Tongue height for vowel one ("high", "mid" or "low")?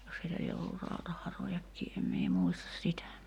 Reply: mid